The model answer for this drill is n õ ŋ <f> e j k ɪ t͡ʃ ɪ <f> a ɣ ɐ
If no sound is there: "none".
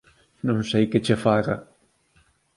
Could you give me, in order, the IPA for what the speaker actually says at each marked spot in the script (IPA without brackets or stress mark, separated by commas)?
s, f